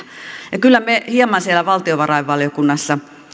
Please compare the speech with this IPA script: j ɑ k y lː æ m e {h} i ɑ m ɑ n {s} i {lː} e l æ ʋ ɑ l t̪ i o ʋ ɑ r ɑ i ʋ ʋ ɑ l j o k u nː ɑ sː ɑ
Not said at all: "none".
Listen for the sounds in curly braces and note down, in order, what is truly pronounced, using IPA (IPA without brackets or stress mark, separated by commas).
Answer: h, s, none